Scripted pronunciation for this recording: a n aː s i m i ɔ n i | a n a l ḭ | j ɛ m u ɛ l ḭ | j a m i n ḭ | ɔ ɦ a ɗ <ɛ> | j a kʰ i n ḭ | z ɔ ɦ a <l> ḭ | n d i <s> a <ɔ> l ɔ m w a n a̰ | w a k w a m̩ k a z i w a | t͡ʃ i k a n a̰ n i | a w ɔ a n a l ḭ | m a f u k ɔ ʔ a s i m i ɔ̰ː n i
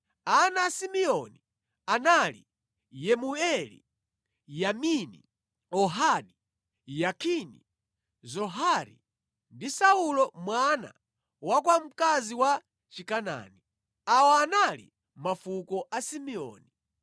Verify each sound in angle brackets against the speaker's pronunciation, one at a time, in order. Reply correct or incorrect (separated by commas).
incorrect, incorrect, correct, incorrect